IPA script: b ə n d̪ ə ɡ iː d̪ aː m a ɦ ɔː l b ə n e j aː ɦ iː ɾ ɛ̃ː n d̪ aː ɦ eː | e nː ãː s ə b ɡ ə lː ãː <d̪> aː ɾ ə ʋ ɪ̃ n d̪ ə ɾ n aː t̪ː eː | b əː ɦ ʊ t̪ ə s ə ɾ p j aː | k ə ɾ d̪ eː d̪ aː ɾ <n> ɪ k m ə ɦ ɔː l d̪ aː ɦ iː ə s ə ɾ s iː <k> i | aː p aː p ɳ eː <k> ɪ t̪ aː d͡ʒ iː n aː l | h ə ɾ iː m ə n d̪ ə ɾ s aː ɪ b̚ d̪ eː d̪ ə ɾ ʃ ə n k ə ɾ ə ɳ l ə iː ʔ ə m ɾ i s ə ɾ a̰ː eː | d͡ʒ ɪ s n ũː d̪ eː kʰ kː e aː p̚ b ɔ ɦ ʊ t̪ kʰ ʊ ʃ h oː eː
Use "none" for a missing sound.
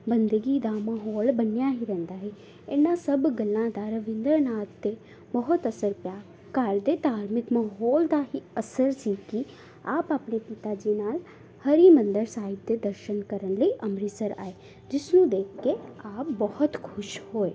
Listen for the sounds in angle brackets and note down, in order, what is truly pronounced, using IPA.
d̪, m, k, p

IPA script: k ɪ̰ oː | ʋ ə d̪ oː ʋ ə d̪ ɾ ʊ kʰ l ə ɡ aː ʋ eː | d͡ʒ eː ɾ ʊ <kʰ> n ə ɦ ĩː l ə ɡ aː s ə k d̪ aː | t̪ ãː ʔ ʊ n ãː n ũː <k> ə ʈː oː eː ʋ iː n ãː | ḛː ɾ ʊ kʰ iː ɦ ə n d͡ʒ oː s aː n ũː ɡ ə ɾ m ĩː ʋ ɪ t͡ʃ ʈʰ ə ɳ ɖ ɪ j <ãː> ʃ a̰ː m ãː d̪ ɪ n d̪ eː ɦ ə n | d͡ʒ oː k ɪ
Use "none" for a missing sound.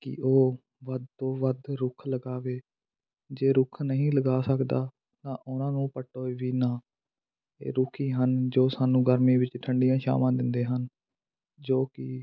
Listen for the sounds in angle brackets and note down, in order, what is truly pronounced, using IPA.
kʰ, p, ãː

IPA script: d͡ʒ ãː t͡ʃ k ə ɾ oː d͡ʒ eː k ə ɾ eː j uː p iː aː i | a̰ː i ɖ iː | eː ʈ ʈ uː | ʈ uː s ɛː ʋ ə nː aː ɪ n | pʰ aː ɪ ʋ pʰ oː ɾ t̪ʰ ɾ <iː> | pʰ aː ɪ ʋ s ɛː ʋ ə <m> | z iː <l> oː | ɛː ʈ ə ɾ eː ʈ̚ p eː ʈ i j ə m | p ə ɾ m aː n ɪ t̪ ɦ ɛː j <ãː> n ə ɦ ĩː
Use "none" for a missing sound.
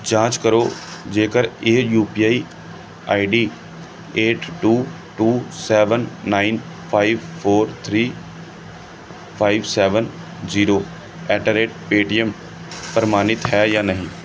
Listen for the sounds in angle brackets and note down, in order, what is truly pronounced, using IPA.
iː, n, ɾ, aː

